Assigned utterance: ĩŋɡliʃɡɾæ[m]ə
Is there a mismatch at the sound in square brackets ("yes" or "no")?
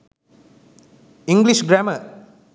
no